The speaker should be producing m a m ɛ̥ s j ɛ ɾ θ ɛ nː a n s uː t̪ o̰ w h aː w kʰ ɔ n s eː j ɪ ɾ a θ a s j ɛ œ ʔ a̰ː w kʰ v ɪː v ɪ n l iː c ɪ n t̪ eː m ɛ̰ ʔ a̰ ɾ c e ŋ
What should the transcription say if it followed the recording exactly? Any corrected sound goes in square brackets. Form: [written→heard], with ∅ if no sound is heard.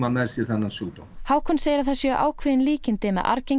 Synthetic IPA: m a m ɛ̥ s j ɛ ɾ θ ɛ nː a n s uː t̪ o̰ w h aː w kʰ ɔ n s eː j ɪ ɾ a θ a s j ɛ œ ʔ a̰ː w kʰ v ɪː [v→ð] ɪ n l iː c ɪ n t̪ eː m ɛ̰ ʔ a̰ ɾ c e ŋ